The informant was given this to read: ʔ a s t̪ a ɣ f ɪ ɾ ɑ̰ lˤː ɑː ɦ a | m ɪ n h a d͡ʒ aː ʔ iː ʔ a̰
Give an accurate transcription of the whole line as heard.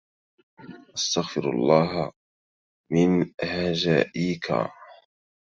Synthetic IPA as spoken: ʔ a s t̪ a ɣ f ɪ ɾ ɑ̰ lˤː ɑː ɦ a | m ɪ n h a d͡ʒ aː ʔ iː k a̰